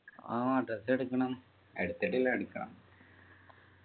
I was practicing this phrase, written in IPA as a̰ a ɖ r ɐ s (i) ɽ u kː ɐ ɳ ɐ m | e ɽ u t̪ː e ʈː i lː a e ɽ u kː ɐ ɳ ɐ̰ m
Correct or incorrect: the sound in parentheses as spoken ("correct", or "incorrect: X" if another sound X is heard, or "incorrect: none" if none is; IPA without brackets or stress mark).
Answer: incorrect: e